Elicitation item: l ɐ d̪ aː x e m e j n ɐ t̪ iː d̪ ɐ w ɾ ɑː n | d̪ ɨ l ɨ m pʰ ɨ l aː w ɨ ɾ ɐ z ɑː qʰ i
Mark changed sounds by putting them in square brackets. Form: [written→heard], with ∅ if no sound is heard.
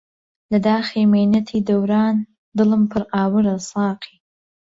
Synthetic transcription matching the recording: l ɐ d̪ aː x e m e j n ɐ [t̪→t̪ʰ] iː d̪ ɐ w ɾ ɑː n | d̪ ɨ l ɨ m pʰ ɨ [l→ɾ] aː w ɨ ɾ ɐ [z→s] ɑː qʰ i